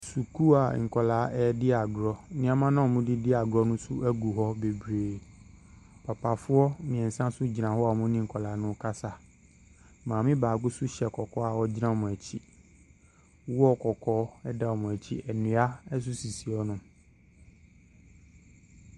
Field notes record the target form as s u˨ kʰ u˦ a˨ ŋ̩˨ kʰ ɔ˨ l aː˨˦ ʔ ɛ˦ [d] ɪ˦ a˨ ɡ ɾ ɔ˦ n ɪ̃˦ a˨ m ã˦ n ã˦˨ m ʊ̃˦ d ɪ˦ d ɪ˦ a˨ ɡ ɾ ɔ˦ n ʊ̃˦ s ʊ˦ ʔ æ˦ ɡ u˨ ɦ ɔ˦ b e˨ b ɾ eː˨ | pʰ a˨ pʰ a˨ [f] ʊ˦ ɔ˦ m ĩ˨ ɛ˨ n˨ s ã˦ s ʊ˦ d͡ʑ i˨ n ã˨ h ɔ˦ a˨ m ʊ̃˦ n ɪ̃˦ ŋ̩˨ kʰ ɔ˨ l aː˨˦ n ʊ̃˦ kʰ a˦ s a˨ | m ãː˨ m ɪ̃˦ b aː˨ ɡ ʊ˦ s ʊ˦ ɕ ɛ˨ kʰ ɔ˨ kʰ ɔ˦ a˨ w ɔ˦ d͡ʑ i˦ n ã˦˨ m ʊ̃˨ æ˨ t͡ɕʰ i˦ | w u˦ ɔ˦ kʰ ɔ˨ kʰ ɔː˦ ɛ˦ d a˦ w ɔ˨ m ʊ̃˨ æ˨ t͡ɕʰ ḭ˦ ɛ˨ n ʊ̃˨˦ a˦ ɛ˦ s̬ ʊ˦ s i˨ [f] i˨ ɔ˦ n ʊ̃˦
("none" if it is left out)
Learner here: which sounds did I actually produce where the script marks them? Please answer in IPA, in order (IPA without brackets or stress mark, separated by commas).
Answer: d, f, s